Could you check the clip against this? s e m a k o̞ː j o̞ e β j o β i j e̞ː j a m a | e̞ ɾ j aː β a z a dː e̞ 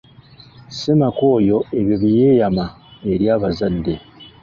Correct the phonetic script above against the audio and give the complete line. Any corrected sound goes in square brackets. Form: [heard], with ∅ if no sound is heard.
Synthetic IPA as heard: s e m a k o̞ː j o̞ e β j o β i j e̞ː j a m a | e̞ ɾ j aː β a z a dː e̞